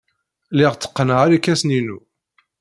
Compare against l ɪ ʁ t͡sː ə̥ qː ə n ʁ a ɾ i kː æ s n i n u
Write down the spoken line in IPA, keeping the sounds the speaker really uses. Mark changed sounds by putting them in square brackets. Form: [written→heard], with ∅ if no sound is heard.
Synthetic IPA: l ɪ ʁ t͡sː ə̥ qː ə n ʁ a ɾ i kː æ s n i n u

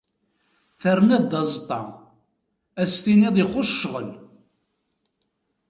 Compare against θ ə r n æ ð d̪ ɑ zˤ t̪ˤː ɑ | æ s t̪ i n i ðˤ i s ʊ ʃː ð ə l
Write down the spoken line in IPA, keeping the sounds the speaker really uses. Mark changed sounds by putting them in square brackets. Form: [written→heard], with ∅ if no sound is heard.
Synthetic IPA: θ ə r n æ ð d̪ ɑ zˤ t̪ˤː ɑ | æ s t̪ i n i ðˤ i [s→χ] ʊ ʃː [ð→ʁ] ə l

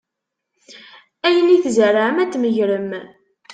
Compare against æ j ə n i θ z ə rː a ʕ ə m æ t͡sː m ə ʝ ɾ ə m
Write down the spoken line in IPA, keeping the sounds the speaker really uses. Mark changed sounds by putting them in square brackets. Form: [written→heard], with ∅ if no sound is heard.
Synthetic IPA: æ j ə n i θ z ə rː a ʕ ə m æ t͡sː m ə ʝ ɾ ə m

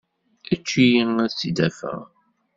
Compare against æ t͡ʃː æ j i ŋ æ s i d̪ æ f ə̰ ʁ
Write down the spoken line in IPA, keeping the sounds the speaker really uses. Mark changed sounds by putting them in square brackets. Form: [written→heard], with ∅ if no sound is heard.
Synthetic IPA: æ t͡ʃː [æ→i] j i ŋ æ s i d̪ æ f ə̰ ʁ

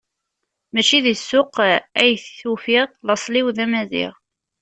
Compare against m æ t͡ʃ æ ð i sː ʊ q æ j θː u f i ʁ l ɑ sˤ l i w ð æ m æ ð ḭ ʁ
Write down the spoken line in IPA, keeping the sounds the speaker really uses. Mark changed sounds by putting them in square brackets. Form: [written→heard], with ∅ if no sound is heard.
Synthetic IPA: m æ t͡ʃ [æ→i] ð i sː ʊ q æ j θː u f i ʁ l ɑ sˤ l i w ð æ m æ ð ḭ ʁ

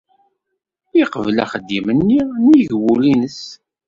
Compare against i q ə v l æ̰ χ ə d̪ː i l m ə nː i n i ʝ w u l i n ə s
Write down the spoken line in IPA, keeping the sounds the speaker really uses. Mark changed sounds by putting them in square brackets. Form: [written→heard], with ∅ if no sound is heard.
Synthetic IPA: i q ə v l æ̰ χ ə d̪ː i [l→∅] m ə nː i n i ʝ w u l i n ə s

